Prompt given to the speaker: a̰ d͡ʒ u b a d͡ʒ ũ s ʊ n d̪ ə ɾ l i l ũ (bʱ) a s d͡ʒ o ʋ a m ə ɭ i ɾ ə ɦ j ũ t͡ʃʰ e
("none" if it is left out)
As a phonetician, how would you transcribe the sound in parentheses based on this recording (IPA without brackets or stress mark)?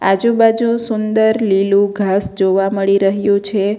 ɡʱ